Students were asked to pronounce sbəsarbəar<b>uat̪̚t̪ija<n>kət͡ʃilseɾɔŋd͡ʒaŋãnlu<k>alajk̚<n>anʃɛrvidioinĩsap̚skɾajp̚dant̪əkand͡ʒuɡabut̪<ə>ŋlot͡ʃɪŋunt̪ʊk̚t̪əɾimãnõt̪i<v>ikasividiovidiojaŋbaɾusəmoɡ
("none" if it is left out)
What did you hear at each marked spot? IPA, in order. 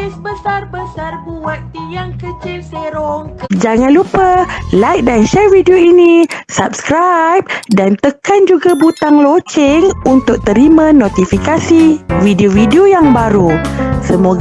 b, ŋ, p, d, a, f

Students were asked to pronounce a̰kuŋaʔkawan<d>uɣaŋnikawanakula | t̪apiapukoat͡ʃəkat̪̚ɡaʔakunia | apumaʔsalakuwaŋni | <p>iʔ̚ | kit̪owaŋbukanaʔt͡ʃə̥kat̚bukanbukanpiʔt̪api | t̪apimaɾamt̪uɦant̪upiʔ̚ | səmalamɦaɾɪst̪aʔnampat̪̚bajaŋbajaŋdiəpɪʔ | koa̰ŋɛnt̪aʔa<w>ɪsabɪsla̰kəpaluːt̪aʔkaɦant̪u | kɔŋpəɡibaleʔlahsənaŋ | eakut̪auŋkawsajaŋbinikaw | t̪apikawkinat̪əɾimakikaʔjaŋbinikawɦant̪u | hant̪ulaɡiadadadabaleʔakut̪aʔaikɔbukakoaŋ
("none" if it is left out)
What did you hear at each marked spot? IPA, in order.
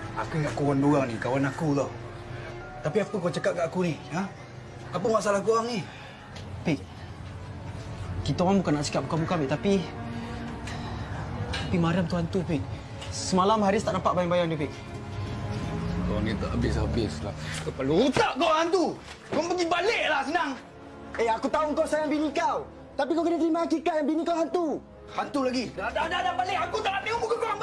d, p, b

